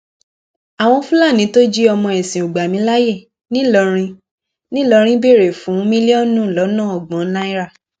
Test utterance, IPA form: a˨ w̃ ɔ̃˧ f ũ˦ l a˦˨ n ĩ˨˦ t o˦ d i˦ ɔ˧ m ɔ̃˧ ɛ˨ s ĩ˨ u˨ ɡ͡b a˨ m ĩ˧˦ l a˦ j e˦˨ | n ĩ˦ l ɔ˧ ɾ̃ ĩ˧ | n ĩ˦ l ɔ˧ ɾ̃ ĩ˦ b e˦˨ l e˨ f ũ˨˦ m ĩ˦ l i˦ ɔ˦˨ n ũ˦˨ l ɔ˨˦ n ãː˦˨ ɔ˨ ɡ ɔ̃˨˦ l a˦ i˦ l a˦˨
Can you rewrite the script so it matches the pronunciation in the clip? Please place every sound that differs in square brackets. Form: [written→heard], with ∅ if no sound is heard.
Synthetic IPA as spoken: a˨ w̃ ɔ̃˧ f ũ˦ l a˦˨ n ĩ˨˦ t o˦ [d→d͡ʒ] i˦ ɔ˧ m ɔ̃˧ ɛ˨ s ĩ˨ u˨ ɡ͡b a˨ m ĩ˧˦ l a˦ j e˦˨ | n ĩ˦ l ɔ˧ ɾ̃ ĩ˧ | n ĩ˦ l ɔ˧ ɾ̃ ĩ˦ b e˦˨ [l→ɾ] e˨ f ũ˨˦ m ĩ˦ l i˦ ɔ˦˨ n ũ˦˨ l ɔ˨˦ n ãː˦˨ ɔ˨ [ɡ→ɡ͡b] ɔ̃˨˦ l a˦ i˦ [l→ɾ] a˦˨